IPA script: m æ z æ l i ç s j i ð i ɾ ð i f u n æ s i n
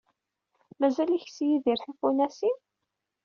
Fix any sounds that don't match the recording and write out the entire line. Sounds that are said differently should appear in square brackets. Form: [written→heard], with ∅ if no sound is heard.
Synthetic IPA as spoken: m æ z æ l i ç s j i ð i ɾ [ð→θ] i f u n æ s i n